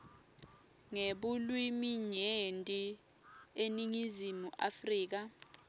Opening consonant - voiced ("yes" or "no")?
yes